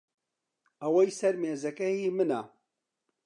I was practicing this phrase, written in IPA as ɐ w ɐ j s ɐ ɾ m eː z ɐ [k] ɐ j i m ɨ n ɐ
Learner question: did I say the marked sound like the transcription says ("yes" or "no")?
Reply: yes